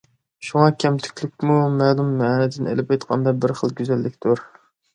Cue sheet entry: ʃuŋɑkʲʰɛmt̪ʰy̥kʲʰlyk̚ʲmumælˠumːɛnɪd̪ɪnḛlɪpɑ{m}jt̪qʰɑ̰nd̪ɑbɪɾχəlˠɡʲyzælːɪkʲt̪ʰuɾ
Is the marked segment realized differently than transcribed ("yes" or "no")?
yes